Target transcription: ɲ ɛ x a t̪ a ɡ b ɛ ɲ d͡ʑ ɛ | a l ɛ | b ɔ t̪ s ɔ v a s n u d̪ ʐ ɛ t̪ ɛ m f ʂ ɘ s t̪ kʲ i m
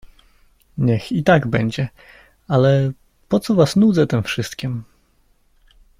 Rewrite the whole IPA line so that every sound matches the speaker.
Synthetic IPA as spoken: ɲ ɛ x i t̪ a ɡ b ɛ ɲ d͡ʑ ɛ | a l ɛ | p ɔ t̪ s ɔ v a s n u d̪ z ɛ t̪ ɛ m f ʂ ɘ s t̪ kʲ i m